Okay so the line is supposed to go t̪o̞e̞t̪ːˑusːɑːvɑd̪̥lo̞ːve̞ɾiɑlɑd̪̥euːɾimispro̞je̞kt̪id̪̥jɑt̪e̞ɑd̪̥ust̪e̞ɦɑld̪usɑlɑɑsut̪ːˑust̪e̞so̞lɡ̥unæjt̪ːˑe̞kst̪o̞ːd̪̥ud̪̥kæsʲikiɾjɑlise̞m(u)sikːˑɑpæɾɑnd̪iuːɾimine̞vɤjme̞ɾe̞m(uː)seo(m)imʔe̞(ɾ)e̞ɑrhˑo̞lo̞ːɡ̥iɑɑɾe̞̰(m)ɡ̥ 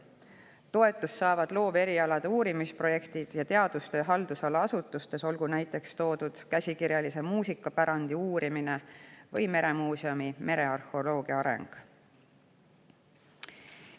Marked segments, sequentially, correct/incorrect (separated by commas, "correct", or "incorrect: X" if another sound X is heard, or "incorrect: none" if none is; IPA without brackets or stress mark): incorrect: uː, correct, correct, correct, incorrect: ŋ